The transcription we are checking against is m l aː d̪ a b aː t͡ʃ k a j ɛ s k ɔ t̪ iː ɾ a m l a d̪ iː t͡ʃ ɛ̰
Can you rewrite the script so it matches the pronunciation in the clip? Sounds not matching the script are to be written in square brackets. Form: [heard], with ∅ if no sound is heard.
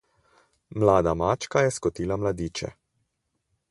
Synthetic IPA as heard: m l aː d̪ a [m] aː t͡ʃ k a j ɛ s k ɔ t̪ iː [l] a m l a d̪ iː t͡ʃ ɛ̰